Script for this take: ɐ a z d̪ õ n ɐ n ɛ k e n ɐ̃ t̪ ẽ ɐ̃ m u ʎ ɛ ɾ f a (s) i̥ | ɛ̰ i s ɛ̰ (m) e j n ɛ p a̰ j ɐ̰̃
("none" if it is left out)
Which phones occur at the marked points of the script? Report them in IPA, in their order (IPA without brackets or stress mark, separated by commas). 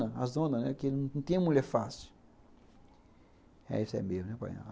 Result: s, m